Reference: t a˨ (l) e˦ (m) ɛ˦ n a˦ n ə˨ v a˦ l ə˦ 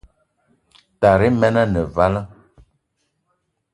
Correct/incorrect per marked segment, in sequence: incorrect: ɾ, correct

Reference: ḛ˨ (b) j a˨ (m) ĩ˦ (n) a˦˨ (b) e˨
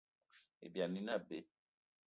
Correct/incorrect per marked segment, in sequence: correct, incorrect: n, correct, correct

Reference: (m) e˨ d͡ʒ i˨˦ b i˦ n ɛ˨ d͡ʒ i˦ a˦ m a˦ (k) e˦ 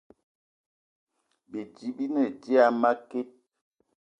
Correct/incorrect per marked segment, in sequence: incorrect: b, correct

